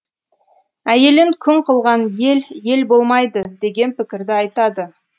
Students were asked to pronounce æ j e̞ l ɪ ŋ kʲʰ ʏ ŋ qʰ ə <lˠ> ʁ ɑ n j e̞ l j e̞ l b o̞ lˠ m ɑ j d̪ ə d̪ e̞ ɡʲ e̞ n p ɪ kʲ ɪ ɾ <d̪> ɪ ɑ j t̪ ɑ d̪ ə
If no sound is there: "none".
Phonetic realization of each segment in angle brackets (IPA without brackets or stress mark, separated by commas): lˠ, d̪